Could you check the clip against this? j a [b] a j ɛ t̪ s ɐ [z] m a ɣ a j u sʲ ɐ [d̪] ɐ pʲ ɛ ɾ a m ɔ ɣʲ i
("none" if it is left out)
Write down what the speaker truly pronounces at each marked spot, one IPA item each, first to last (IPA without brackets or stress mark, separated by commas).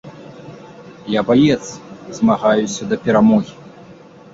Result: b, z, d̪